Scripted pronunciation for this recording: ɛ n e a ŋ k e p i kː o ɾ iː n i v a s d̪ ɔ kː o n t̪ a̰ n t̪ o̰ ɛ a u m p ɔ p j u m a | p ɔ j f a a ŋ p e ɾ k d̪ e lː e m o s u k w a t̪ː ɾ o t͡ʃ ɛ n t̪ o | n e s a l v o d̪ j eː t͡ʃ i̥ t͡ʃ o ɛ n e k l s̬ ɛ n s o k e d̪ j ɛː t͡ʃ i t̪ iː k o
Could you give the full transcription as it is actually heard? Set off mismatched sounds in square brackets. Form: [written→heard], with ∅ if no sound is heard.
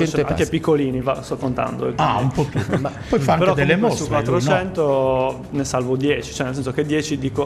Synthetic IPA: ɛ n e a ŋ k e p i kː o [ɾ→l] iː n i v a s [d̪→t̪] ɔ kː o n t̪ a̰ n [t̪→d̪] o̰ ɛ a u m p ɔ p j u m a | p ɔ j f a a ŋ p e ɾ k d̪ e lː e m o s u k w a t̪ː ɾ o t͡ʃ ɛ n t̪ o | n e s a l v o d̪ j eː t͡ʃ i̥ t͡ʃ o ɛ n e [k→∅] l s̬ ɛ n s o k e d̪ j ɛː t͡ʃ i [t̪→d̪] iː k o

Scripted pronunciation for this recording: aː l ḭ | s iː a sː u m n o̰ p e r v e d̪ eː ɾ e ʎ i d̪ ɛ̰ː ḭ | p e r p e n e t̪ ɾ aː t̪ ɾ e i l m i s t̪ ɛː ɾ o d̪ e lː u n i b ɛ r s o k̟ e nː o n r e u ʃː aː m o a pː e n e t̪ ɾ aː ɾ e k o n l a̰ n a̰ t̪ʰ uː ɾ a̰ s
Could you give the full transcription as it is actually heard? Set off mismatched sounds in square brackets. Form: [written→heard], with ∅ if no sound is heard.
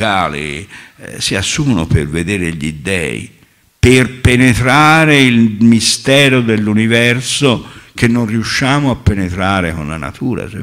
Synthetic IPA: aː l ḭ | s [iː→i] a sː u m n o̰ p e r v e d̪ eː ɾ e ʎ i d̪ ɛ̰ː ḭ | p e r p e n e t̪ ɾ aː [t̪→∅] ɾ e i l m i s t̪ ɛː ɾ o d̪ e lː u n i [b→v] ɛ r s o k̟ e nː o n r [e→i] u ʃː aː m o a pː e n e t̪ ɾ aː ɾ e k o n l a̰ n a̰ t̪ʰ uː ɾ a̰ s

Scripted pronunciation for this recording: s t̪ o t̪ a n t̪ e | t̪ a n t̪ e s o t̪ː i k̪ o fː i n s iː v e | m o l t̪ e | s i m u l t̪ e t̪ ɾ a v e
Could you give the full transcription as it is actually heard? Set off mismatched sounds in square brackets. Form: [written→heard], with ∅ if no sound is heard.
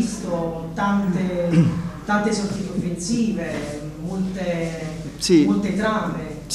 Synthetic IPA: s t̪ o t̪ a n t̪ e | t̪ a n t̪ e s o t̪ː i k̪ o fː [i→e] n s iː v e | m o l t̪ e | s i m [u→o] l t̪ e t̪ ɾ a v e

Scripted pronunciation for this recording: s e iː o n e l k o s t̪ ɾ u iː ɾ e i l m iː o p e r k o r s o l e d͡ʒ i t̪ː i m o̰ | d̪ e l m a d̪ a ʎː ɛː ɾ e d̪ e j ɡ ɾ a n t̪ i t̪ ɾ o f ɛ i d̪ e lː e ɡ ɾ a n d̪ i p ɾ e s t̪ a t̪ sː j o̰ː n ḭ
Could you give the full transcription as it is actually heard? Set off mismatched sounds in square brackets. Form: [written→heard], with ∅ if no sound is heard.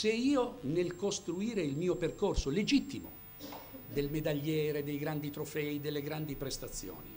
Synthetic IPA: s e iː o n e l k o s t̪ ɾ u iː ɾ e i l m iː o p e r k o r s o l e d͡ʒ i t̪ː i m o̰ | d̪ e l m [a→e] d̪ a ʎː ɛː ɾ e d̪ e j ɡ ɾ a n [t̪→d̪] i t̪ ɾ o f ɛ i d̪ e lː e ɡ ɾ a n d̪ i p ɾ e s t̪ a t̪ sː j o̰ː n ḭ

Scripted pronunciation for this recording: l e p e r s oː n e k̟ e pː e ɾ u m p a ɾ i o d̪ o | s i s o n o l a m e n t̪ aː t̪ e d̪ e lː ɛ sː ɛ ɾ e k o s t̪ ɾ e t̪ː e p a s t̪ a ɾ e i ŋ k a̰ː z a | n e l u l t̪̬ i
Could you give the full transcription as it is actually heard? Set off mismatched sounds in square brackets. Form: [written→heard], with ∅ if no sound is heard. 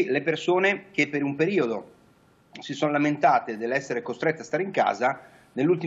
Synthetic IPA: l e p e r s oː n e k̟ e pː e ɾ u m p [a→e] ɾ [i→iː] o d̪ o | s i s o n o l a m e n t̪ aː t̪ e d̪ e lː ɛ sː [ɛ→e] ɾ e k o s t̪ ɾ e t̪ː e [p→∅] a s t̪ a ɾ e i ŋ k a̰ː z a | n e [l→lː] u l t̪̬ i

